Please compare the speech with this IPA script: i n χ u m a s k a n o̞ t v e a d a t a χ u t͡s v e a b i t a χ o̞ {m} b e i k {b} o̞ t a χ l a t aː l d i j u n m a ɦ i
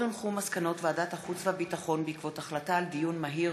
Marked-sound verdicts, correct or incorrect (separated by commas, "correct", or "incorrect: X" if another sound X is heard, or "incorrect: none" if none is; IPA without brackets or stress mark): incorrect: n, incorrect: v